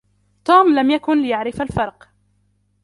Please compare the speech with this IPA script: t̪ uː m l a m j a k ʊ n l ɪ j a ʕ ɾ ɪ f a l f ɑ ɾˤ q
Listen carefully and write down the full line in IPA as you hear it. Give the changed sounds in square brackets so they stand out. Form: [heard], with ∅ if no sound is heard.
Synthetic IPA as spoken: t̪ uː m l a m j a k ʊ n l ɪ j a ʕ ɾ ɪ f a l f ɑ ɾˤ q